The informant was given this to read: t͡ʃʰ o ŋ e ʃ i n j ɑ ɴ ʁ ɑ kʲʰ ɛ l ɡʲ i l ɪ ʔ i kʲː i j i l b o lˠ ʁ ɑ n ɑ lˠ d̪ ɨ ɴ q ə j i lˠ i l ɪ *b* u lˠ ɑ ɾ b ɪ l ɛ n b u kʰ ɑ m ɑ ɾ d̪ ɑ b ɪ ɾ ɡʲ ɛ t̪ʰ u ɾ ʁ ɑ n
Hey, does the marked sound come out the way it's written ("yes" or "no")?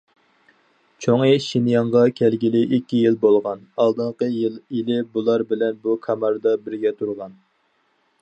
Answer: yes